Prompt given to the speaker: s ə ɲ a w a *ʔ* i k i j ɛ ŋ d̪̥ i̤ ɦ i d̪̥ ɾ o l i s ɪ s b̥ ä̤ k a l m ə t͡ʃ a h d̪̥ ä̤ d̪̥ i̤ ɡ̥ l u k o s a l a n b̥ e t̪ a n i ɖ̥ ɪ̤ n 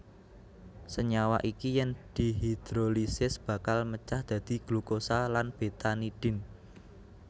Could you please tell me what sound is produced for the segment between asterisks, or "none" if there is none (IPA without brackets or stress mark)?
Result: ʔ